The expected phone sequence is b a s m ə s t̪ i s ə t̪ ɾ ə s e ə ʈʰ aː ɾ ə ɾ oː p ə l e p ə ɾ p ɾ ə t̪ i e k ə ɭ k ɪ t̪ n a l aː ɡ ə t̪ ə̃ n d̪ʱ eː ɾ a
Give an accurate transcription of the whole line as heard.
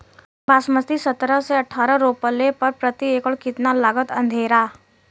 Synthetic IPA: b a s m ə s t̪ i s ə t̪ ɾ ə s e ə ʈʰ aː ɾ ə ɾ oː p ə l e p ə ɾ p ɾ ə t̪ i e k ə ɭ k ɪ t̪ n a l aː ɡ ə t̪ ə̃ n d̪ʱ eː ɾ a